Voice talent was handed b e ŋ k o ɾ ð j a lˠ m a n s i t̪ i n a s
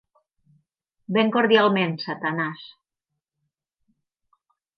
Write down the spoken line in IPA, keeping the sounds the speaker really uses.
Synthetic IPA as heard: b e ŋ k o ɾ ð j a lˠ m e n s a t̪ a n a s